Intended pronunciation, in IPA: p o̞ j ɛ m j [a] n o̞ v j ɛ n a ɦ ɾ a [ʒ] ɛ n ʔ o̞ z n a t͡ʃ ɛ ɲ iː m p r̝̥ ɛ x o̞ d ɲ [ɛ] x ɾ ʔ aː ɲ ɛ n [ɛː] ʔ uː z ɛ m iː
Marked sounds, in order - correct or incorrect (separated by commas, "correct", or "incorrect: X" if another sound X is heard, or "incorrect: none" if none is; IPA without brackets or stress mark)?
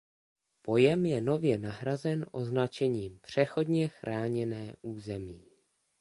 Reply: incorrect: ɛ, incorrect: z, correct, correct